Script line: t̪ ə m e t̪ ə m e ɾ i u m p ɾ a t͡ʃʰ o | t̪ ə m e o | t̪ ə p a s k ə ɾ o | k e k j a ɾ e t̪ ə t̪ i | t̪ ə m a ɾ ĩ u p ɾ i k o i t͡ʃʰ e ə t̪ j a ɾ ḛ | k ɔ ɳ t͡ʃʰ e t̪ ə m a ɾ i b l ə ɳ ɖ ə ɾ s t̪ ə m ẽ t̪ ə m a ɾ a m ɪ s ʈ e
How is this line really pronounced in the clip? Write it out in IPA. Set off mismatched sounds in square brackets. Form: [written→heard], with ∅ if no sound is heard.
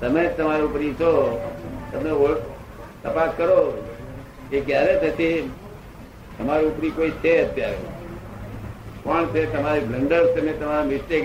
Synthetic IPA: t̪ ə m e t̪ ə m [e→a] ɾ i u [m→∅] p ɾ [a→i] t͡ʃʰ o | t̪ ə m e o | t̪ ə p a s k ə ɾ o | k e k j a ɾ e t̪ ə t̪ i | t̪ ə m a ɾ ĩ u p ɾ i k o i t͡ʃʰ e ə t̪ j a ɾ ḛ | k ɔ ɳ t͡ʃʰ e t̪ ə m a ɾ i b l ə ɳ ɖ ə ɾ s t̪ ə m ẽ t̪ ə m a ɾ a m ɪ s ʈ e